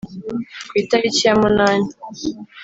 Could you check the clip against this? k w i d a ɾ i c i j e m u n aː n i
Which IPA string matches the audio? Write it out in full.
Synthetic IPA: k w i t a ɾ i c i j a m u n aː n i

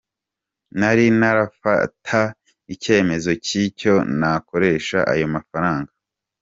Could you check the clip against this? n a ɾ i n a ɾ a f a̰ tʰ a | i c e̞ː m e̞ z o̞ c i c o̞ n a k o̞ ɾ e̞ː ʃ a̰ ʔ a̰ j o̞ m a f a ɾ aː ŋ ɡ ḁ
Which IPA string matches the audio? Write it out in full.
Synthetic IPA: n a ɾ i n a ɾ a f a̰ tʰ a | i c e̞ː m e̞ z o̞ c i c o̞ n a k o̞ ɾ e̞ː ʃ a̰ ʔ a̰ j o̞ m a f a ɾ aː ŋ ɡ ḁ

